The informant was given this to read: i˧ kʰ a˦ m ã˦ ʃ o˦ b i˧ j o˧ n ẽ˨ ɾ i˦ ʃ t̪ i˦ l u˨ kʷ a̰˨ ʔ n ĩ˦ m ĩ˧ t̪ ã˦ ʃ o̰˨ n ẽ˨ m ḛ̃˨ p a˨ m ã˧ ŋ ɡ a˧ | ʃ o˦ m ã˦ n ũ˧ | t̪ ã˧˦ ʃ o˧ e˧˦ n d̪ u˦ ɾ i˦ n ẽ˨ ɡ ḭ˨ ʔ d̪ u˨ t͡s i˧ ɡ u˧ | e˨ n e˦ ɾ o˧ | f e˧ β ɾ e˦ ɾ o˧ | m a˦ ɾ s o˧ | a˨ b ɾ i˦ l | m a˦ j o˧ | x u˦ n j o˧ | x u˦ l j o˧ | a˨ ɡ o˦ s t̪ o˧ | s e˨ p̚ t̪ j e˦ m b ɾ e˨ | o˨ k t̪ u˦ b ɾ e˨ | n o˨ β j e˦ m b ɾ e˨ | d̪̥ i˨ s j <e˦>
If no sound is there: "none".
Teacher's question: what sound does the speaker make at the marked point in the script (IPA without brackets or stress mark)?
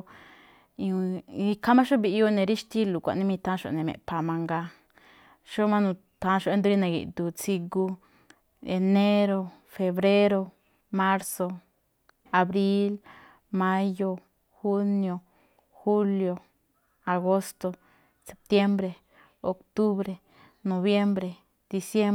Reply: e˦